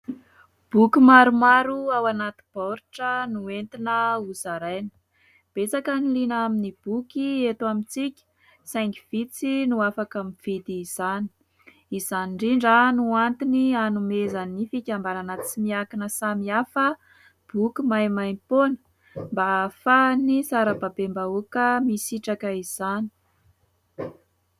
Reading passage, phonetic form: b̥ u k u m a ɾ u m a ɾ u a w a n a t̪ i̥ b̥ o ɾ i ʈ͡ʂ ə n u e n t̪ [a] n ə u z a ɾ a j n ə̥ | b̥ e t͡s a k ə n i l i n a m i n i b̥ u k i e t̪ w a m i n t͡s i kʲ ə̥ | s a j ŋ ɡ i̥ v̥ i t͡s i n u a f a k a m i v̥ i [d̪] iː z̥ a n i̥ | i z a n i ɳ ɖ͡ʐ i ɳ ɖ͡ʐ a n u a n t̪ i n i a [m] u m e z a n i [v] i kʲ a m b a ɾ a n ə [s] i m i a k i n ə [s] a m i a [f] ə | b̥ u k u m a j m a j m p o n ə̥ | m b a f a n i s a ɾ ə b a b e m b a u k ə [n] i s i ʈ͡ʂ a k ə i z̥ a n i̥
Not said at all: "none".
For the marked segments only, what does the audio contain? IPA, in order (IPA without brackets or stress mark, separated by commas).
i, d̪, n, f, t͡s, s, f, m